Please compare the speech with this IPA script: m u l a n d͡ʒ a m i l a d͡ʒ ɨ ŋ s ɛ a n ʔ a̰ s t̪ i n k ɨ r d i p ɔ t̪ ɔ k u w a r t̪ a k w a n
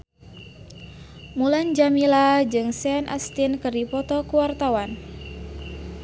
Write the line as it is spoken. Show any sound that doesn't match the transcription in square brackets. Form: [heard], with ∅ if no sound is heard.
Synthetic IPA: m u l a n d͡ʒ a m i l a d͡ʒ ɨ ŋ s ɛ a n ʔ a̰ s t̪ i n k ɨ r d i p ɔ t̪ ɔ k u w a r t̪ a [∅] w a n